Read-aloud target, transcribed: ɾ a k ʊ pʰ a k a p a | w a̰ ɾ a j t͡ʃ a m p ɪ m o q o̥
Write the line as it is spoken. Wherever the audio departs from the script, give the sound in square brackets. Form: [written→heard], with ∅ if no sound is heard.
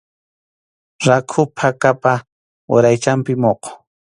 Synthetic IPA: ɾ a [k→kʰ] ʊ pʰ a k a p a | w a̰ ɾ a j t͡ʃ a m p ɪ m o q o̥